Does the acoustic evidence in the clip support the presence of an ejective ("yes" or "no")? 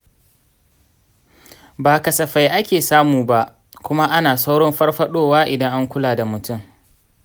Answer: no